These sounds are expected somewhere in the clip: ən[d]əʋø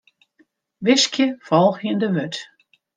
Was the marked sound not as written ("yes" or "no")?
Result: no